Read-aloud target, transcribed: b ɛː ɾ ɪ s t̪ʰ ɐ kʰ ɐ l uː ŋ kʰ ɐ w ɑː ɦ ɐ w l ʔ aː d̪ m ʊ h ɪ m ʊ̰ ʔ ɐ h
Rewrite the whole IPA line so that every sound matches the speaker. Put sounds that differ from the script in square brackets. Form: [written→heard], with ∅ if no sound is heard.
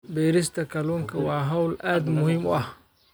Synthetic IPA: b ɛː ɾ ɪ s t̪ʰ ɐ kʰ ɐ l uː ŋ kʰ ɐ w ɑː ɦ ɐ w l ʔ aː d̪ m ʊ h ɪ m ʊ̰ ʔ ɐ h